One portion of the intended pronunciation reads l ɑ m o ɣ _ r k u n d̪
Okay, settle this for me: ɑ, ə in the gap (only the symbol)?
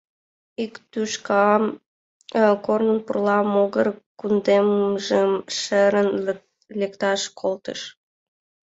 ə